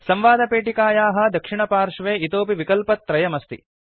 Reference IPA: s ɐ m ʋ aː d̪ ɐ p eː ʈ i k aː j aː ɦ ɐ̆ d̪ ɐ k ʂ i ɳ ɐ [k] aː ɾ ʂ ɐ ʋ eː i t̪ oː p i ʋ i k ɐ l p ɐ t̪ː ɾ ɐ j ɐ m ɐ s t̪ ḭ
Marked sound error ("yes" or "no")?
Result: yes